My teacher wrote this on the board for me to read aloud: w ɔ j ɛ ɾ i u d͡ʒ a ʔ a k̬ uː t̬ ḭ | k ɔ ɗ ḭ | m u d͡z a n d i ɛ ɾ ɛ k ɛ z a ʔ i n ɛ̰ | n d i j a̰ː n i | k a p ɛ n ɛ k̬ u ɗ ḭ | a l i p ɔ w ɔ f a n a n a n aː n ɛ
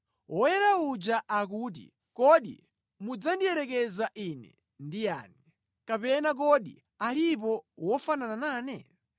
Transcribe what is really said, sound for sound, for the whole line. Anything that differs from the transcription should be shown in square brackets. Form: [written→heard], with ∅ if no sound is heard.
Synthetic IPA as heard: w ɔ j ɛ ɾ [i→a] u d͡ʒ a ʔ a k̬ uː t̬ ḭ | k ɔ ɗ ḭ | m u d͡z a n d i ɛ ɾ ɛ k ɛ z a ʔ i n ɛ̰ | n d i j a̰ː n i | k a p ɛ n [ɛ→a] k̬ [u→ɔ] ɗ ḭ | a l i p ɔ w ɔ f a n a n a n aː n ɛ